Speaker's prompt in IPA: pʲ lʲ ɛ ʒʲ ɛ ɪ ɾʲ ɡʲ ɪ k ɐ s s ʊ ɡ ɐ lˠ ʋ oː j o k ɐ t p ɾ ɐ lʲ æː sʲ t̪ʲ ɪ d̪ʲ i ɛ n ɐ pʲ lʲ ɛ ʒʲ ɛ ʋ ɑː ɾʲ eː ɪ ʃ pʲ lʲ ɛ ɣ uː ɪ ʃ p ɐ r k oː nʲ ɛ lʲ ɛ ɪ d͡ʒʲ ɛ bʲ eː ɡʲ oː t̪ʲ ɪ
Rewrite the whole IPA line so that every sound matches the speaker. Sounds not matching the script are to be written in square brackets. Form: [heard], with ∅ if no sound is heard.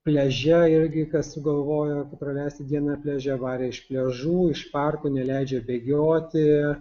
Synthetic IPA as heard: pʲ lʲ ɛ ʒʲ ɛ ɪ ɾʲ ɡʲ ɪ k ɐ s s ʊ ɡ ɐ lˠ ʋ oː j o k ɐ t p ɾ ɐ lʲ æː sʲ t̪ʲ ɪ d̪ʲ i ɛ n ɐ pʲ lʲ ɛ ʒʲ ɛ ʋ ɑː ɾʲ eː ɪ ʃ pʲ lʲ ɛ [ʒ] uː ɪ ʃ p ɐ r k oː nʲ ɛ lʲ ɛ ɪ d͡ʒʲ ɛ bʲ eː ɡʲ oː t̪ʲ ɪ